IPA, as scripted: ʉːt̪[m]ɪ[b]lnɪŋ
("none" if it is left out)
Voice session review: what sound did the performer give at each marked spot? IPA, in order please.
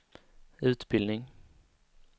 b, none

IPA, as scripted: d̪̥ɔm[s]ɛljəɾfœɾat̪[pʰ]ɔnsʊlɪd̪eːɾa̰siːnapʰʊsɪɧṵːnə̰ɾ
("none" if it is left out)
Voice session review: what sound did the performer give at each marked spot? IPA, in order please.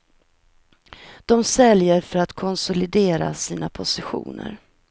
s, kʰ

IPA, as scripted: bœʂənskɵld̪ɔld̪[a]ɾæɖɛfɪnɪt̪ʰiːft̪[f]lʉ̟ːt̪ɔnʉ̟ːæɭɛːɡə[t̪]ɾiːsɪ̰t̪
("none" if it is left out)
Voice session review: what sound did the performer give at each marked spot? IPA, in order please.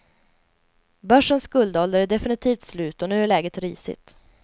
ə, s, t̪

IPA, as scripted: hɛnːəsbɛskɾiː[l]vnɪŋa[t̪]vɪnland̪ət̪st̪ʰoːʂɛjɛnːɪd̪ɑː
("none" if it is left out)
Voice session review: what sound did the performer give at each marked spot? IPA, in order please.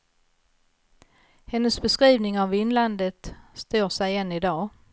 none, none

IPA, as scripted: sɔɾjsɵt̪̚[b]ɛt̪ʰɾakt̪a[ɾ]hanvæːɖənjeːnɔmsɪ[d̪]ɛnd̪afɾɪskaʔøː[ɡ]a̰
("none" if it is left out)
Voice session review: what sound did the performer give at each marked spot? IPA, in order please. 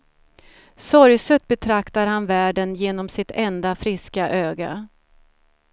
b, ɾ, t̪, ɡ

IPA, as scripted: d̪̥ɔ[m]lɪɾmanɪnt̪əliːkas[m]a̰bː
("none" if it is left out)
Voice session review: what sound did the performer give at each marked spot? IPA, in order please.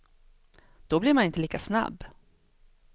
b, n

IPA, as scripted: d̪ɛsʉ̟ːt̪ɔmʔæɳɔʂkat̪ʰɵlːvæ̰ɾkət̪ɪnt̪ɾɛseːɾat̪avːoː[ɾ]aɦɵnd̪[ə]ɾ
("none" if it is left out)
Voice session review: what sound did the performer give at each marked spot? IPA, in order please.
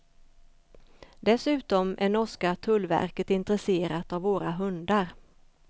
ɾ, a

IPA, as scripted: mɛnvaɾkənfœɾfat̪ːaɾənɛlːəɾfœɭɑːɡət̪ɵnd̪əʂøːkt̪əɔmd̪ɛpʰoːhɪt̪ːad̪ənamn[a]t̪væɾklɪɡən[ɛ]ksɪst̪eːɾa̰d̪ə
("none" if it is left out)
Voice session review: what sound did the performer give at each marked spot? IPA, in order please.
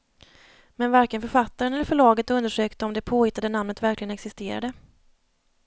ə, ɛ

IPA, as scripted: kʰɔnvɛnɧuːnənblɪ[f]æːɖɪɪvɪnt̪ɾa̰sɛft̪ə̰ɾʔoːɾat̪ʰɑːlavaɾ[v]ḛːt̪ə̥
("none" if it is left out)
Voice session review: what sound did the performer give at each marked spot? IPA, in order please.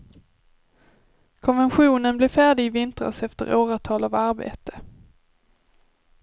f, b

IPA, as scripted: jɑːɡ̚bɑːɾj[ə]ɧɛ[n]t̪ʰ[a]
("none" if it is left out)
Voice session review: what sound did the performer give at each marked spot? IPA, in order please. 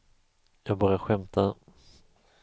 a, m, a

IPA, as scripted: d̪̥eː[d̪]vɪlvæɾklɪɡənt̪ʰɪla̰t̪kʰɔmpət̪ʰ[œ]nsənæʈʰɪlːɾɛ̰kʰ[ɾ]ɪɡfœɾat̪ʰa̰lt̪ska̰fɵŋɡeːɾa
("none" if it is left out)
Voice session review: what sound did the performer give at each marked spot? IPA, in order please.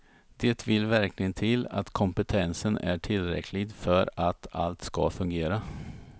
t̪, ɛ, l

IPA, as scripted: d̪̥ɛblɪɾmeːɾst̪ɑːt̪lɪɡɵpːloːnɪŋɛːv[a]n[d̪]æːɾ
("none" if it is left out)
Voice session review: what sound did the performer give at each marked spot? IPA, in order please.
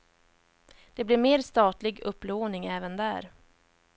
ə, d̪

